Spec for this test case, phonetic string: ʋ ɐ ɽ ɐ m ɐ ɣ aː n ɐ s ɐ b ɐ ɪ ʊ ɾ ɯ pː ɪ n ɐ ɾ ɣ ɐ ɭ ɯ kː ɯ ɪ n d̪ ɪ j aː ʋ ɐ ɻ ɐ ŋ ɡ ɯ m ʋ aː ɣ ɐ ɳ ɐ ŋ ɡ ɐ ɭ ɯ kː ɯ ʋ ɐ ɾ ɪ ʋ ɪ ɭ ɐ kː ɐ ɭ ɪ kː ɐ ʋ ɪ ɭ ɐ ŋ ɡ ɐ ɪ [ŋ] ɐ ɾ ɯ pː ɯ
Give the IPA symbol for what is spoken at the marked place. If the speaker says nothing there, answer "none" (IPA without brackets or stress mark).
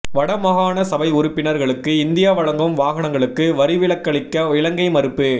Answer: m